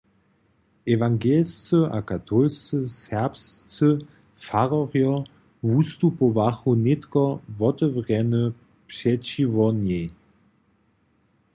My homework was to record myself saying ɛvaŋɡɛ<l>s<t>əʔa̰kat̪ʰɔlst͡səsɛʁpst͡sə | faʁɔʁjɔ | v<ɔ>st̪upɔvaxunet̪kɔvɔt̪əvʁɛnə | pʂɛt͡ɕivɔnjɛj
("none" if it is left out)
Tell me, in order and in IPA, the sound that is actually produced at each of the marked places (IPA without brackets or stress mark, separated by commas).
l, t͡s, u